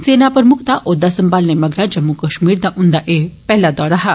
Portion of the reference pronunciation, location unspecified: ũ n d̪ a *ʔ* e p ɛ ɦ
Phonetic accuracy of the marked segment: correct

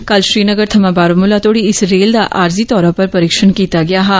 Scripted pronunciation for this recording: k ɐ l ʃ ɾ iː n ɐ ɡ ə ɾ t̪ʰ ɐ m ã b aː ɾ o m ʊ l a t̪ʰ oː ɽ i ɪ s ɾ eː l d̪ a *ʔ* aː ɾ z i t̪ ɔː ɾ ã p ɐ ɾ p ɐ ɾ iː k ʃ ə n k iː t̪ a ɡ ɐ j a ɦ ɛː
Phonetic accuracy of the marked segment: correct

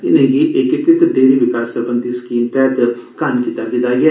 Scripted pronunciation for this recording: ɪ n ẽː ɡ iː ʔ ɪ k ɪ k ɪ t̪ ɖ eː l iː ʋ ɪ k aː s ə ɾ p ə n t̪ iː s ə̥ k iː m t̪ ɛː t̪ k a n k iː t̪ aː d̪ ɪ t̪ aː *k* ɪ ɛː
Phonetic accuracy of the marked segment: incorrect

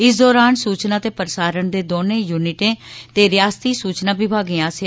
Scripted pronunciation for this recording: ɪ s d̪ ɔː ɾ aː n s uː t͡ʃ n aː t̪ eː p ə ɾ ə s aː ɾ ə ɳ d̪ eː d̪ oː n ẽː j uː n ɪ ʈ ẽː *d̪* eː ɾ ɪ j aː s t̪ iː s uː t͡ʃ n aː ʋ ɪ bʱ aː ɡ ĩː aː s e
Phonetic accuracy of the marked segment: incorrect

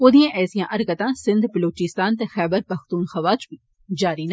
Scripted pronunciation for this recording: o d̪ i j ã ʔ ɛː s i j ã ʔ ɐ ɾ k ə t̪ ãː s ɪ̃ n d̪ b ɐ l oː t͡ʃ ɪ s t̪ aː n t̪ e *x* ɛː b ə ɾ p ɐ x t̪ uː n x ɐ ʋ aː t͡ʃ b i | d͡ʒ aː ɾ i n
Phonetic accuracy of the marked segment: correct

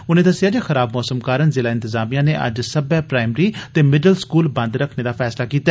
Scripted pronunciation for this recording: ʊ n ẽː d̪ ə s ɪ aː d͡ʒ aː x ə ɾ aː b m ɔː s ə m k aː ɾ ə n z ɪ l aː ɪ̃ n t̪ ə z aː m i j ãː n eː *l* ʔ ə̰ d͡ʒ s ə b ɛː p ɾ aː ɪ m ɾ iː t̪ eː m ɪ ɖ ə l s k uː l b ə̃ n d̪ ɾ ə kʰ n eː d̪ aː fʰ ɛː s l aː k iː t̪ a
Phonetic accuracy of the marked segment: incorrect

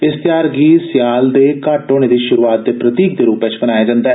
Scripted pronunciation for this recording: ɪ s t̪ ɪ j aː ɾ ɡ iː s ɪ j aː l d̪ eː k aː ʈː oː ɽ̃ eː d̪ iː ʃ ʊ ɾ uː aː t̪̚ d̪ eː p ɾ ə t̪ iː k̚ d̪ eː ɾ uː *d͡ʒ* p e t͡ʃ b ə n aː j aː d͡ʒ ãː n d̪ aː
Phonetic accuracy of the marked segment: incorrect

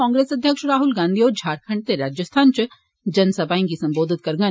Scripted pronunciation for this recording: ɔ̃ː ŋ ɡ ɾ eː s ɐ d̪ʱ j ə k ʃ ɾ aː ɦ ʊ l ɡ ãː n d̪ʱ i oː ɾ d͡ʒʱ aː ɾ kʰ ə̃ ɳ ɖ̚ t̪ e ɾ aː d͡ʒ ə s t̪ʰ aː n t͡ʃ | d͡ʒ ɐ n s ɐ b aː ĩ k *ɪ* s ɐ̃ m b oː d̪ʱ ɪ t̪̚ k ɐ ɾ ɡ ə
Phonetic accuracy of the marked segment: incorrect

